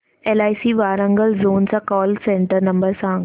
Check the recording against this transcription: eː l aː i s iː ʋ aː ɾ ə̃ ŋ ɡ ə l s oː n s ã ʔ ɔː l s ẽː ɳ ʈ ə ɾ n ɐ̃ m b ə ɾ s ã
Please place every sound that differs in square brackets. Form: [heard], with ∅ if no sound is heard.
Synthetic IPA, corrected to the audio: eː l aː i s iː ʋ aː ɾ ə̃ ŋ ɡ ə l [z] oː n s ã [k] ɔː l s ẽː ɳ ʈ ə ɾ n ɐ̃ m b ə ɾ s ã